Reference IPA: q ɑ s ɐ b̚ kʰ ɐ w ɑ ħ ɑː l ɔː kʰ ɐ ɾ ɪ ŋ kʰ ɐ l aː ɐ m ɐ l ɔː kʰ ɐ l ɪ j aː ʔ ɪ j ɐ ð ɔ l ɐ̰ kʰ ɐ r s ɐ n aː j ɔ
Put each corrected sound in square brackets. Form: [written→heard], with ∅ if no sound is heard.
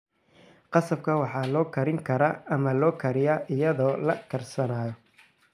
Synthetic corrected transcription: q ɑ s ɐ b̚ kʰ ɐ w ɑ ħ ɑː l ɔː kʰ ɐ ɾ ɪ ŋ kʰ ɐ [l→ɾ] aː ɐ m ɐ l ɔː kʰ ɐ [l→ɾ] ɪ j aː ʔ ɪ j ɐ ð [ɔ→ɔː] l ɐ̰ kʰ ɐ r s ɐ n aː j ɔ